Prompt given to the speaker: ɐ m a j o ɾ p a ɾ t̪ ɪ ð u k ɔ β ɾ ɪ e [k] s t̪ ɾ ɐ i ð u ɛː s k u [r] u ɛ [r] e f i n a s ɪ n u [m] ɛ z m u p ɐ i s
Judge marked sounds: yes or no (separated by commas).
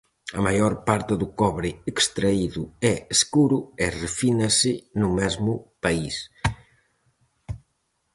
yes, no, yes, yes